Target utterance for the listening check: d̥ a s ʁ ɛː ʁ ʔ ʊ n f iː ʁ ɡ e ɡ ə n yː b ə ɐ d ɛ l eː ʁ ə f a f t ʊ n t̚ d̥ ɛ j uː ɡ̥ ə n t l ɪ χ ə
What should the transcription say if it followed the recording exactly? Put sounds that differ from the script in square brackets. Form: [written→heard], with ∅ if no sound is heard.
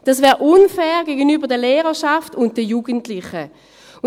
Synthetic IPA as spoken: d̥ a s [ʁ→v] ɛː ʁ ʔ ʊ n f [iː→ɛː] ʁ ɡ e ɡ ə n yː b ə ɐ d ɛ l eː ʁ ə [f→ʃ] a f t ʊ n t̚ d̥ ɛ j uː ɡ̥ ə n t l ɪ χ ə